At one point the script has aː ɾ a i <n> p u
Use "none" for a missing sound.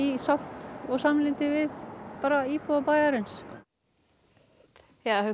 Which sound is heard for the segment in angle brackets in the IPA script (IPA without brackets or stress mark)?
none